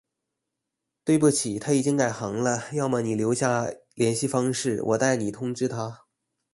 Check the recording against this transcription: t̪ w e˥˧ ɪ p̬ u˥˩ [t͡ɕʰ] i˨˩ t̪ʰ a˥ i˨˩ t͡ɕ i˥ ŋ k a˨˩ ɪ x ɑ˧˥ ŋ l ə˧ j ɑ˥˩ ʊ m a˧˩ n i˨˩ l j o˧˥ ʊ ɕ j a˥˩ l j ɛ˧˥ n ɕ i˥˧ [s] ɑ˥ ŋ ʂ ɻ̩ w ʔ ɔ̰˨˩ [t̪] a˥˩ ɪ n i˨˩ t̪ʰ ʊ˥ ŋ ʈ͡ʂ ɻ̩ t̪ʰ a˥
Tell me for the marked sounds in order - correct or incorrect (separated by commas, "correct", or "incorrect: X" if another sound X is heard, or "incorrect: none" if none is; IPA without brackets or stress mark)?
correct, incorrect: f, correct